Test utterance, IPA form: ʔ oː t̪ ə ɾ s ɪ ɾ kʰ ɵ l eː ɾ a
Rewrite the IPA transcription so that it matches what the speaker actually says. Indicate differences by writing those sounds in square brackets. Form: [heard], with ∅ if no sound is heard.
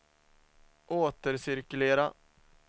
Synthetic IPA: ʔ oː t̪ ə ɾ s ɪ ɾ [k] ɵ l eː ɾ a